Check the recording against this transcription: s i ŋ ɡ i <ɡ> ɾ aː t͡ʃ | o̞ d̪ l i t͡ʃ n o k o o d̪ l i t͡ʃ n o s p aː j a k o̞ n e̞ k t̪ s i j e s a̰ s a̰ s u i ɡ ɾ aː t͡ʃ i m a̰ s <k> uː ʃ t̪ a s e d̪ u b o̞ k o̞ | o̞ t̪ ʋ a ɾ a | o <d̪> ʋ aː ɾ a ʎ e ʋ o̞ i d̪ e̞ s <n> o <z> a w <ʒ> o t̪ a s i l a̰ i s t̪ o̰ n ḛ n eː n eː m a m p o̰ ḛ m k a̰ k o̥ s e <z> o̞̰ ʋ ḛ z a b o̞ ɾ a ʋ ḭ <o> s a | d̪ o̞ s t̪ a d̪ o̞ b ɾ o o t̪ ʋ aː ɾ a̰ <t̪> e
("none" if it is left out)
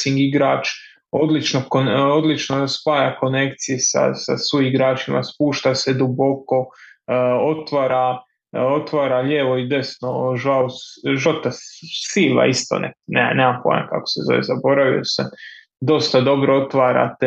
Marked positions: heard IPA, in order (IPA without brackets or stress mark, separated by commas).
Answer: ɡ, p, t̪, n, ʒ, ʒ, z, o, t̪